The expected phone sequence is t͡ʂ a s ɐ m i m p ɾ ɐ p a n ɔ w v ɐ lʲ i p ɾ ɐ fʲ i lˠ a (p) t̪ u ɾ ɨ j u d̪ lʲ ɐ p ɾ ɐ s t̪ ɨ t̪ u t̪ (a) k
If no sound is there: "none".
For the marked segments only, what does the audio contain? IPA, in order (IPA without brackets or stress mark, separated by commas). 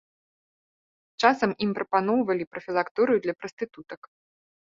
k, ɐ